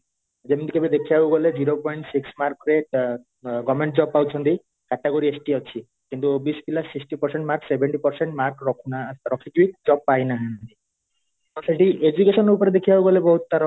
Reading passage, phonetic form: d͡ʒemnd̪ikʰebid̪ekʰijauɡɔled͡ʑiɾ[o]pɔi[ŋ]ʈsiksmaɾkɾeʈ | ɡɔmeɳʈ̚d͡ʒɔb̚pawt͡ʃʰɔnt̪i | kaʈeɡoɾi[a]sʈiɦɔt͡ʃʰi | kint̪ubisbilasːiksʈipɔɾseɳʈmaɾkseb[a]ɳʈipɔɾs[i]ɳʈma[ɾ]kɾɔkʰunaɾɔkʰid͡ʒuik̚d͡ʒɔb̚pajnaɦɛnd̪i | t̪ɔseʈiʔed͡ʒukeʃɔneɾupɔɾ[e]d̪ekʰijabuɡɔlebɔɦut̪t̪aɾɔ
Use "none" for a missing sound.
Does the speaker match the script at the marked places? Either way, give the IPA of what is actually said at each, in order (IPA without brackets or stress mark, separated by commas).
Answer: o, ɳ, e, e, e, ɾ, e